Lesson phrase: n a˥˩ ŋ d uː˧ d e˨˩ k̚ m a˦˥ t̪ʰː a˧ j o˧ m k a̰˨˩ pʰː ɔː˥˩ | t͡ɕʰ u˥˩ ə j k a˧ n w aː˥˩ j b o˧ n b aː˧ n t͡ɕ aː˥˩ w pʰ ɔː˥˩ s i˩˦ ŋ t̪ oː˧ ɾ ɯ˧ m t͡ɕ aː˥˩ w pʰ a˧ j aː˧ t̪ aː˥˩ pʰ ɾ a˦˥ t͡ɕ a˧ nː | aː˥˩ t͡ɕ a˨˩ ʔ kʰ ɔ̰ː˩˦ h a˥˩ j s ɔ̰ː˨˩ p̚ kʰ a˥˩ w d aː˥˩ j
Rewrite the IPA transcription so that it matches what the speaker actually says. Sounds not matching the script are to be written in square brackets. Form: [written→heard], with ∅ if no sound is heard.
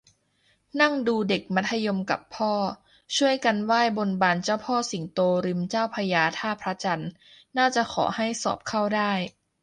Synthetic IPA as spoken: n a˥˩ ŋ d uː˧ d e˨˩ k̚ m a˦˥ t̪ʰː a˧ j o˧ m k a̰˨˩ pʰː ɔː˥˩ | t͡ɕʰ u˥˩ ə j k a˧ n w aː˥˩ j b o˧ n b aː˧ n t͡ɕ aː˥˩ w pʰ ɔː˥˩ s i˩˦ ŋ t̪ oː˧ ɾ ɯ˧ m t͡ɕ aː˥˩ w pʰ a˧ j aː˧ [t̪→t̪ʰ] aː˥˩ pʰ ɾ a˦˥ t͡ɕ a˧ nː | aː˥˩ t͡ɕ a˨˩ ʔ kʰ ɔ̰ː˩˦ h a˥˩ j s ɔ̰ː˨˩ p̚ kʰ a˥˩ w d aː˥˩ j